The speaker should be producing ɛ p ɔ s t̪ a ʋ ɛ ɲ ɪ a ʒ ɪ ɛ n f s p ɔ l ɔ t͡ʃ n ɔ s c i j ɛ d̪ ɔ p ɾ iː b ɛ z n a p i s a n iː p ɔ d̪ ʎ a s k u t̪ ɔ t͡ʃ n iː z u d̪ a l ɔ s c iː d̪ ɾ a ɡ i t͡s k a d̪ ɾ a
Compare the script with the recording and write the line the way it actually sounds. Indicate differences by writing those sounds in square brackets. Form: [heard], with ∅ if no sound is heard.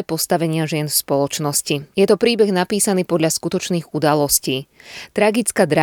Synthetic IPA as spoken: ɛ p ɔ s t̪ a ʋ ɛ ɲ ɪ a ʒ ɪ ɛ n f s p ɔ l ɔ t͡ʃ n ɔ s c i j ɛ [t̪] ɔ p ɾ iː b ɛ [ɣ] n a p [iː] s a n iː p ɔ d̪ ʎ a s k u t̪ ɔ t͡ʃ n iː [ɣ] u d̪ a l ɔ s c iː [t̪] ɾ a ɡ i t͡s k a d̪ ɾ a